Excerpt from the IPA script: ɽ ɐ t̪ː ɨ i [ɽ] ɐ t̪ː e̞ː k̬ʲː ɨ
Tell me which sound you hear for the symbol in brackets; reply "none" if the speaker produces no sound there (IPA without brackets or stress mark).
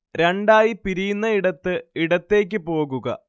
ɽ